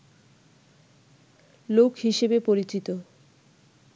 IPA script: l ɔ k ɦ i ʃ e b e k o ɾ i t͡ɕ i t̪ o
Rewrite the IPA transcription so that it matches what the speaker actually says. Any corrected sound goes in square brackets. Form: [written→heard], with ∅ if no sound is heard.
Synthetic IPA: l [ɔ→o] k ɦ i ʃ e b e [k→p] o ɾ i t͡ɕ i t̪ o